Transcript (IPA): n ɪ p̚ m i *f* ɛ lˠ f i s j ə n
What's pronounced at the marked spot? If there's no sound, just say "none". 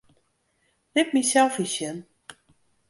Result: s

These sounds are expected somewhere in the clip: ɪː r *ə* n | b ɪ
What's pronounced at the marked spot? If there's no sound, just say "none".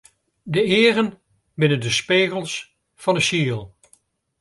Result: ə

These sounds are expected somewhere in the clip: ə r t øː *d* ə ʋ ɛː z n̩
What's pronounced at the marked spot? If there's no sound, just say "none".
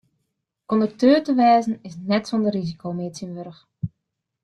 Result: t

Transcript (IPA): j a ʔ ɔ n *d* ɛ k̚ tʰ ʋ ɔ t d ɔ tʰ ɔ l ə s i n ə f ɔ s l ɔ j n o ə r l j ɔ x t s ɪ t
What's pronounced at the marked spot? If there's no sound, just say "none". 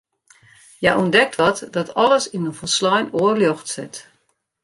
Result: d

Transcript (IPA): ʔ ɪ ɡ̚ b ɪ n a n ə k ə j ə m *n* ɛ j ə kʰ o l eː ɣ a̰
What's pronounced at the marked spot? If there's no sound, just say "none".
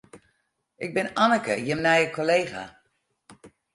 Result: n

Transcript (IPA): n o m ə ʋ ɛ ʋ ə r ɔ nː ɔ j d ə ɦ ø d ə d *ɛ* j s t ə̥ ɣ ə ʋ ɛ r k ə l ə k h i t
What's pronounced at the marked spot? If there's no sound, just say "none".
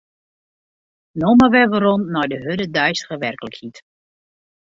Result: œ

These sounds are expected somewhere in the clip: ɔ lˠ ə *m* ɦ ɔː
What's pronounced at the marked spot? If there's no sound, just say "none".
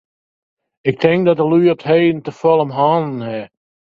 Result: m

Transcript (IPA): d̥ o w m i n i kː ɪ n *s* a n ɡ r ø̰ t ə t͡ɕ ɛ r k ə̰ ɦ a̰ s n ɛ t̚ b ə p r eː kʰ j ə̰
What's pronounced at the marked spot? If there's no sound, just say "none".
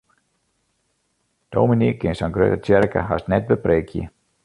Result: s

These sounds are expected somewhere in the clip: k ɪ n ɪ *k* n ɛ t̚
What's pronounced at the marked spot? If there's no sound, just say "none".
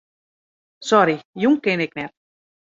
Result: k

